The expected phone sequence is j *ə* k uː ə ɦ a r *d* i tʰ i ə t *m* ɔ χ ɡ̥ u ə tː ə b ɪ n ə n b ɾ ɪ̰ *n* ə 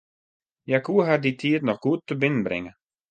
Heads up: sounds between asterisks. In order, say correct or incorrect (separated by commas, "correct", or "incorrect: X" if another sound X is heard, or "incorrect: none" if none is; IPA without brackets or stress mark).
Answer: incorrect: a, correct, incorrect: n, incorrect: ŋ